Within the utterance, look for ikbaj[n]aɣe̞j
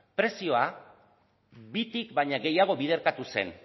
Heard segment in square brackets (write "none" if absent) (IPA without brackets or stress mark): ɲ